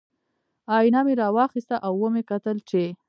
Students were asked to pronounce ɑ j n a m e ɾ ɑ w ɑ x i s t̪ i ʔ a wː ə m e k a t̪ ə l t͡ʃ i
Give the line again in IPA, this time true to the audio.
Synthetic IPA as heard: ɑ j n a m e ɾ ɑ w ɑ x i s t̪ a ʔ a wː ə m e k a t̪ ə l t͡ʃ e